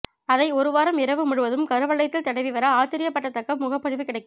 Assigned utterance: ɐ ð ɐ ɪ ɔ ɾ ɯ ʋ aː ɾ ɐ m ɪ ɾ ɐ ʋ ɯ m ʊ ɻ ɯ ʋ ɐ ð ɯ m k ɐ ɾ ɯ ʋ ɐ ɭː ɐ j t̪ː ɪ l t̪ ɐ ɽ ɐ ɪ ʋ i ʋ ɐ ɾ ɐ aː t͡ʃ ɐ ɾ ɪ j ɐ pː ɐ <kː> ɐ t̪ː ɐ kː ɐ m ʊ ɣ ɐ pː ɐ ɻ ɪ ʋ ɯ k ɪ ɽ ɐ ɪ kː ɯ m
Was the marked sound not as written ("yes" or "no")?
yes